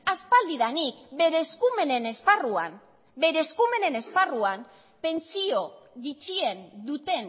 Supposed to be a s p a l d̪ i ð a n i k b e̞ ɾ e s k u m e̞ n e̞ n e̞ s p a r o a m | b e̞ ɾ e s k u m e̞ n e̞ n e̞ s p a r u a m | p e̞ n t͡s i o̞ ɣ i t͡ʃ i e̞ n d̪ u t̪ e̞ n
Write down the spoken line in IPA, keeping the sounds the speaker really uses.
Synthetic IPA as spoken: a s p a l d̪ i ð a n i k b e̞ ɾ e s k u m e̞ n e̞ n e̞ s p a r u a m | b e̞ ɾ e s k u m e̞ n e̞ n e̞ s p a r u a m | p e̞ n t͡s i o̞ ɣ i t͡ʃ i e̞ n d̪ u t̪ e̞ n